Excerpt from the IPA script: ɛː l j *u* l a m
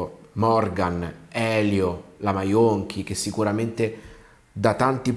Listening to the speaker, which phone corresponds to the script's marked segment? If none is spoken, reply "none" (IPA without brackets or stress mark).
o